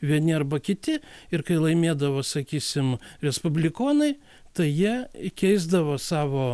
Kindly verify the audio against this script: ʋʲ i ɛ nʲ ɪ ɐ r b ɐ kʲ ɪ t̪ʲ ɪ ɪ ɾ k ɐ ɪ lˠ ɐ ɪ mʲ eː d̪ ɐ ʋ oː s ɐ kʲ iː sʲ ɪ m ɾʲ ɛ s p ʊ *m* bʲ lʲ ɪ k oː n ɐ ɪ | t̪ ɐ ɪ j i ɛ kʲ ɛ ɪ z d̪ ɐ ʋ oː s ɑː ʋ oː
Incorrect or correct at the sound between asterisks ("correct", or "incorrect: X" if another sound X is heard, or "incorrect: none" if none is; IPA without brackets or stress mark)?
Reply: incorrect: none